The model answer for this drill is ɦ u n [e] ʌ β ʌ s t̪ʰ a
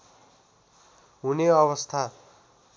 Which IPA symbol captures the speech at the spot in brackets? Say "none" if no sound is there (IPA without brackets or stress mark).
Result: e